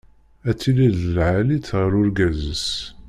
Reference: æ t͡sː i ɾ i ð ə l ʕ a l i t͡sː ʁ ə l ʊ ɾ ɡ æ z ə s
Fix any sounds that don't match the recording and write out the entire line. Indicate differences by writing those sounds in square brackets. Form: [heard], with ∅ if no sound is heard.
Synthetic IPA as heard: æ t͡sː i [l] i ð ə l ʕ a l i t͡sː ʁ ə [ɾ] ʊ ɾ ɡ æ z ə s

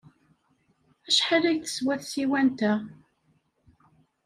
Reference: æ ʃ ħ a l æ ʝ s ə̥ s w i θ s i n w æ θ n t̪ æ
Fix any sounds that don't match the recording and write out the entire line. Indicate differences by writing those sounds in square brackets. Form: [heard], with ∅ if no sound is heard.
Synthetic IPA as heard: æ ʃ ħ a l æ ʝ [θ] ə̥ s w [æ] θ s i [∅] w æ [∅] n t̪ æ

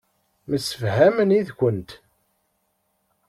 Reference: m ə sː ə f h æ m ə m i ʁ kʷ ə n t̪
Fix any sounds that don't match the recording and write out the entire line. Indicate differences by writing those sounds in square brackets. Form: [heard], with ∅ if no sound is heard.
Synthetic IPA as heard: m ə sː ə f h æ m ə [n] i [ð] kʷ ə n t̪

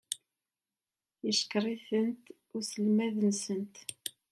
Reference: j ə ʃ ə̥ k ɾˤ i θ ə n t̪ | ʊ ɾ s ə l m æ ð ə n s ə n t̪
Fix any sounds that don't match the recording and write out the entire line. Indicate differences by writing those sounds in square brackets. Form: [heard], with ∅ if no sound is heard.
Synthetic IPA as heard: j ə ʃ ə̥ k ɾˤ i θ ə n t̪ | ʊ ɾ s ə l m æ ð ə n s ə n t̪

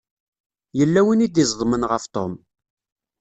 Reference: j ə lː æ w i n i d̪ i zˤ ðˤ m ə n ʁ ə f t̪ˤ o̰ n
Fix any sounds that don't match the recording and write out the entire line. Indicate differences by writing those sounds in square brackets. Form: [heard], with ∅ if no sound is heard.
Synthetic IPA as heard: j ə lː æ w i n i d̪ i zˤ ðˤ m ə n ʁ ə f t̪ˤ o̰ [m]

